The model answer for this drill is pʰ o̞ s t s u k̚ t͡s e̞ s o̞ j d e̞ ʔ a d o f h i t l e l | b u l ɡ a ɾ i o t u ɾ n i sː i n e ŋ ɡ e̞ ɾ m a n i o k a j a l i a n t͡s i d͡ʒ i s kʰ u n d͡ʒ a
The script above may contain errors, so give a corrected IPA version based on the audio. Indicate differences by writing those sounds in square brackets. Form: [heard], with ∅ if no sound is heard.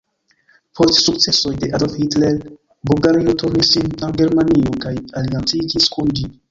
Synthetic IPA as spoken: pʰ o̞ s t s u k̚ t͡s e̞ s o̞ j d e̞ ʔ a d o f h i t l e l | b u l ɡ a ɾ i o t u ɾ n i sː i n [a] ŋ ɡ e̞ ɾ m a n i o k a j a l i a n t͡s i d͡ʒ i s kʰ u n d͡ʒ [i]